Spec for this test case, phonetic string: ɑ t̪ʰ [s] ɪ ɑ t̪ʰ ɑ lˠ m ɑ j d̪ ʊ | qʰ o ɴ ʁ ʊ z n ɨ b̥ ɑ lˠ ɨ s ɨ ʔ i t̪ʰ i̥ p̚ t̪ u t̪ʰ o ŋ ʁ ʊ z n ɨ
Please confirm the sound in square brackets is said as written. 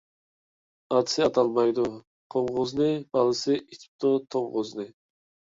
yes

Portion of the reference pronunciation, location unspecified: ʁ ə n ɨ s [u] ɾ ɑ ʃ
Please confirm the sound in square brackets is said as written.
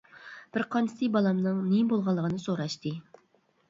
no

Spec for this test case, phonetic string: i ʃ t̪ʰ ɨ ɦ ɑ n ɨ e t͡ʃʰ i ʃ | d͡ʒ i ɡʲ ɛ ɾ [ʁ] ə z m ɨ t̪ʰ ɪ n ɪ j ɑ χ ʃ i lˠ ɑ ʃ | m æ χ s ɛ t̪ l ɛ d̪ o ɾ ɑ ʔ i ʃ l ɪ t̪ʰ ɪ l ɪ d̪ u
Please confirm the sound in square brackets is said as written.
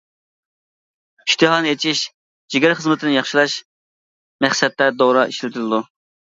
no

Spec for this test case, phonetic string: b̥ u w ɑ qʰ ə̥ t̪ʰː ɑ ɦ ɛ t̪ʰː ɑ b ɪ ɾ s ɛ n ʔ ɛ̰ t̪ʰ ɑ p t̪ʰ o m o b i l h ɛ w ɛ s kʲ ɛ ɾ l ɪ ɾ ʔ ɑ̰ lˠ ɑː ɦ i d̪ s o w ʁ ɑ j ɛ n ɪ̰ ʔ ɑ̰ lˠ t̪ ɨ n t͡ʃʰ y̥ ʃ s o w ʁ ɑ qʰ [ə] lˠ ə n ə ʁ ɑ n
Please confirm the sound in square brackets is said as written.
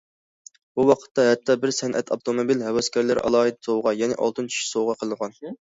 yes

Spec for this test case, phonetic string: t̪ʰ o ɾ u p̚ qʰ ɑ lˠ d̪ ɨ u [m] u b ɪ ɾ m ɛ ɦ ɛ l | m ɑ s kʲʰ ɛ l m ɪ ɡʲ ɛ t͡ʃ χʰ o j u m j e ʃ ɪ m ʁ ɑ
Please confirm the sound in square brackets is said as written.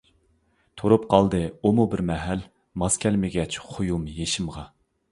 yes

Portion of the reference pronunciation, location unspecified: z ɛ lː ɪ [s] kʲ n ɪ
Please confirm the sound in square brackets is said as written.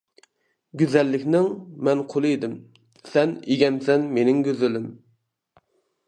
no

